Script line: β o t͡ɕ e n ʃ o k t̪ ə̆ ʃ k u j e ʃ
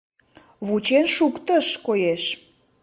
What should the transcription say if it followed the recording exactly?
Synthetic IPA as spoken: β u t͡ɕ e n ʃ u k t̪ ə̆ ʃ k o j e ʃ